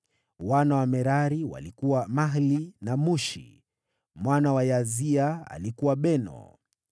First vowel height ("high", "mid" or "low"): low